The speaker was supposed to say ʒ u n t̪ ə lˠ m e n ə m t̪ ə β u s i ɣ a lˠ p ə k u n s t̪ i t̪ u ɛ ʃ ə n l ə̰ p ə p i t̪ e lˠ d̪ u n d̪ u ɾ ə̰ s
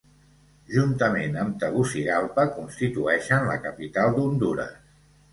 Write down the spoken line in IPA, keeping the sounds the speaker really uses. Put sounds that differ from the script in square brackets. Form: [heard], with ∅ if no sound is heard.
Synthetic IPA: ʒ u n t̪ ə [∅] m e n ə m t̪ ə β u s i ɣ a lˠ p ə k u n s t̪ i t̪ u ɛ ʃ ə n l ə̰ [k] ə p i t̪ [a] lˠ d̪ u n d̪ u ɾ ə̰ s